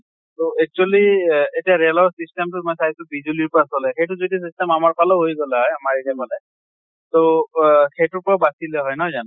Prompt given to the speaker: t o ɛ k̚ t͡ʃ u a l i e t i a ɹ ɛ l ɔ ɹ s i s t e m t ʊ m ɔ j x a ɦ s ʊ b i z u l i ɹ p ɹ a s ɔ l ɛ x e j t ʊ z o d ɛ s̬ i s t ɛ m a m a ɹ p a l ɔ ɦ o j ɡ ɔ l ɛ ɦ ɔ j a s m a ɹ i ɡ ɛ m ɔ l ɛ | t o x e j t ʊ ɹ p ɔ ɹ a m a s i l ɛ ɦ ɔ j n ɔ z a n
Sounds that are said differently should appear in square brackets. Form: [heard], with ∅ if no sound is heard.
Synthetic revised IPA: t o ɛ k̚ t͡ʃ u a l i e t i a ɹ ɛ l ɔ ɹ s i s t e m t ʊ m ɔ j [s] a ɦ s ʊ b i z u l i ɹ p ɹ a s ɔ l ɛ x e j t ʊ z o d [i] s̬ i s t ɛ m a m a ɹ p a l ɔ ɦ o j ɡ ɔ l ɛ ɦ ɔ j a [∅] m a ɹ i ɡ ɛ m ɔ l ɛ | t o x e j t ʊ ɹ p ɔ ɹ a [b] a s i l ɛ ɦ ɔ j n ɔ z a n